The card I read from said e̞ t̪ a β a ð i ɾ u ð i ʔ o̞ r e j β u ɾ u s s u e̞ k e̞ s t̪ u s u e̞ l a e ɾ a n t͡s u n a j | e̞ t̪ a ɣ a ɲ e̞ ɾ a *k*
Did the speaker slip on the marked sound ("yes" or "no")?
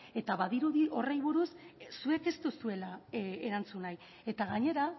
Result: yes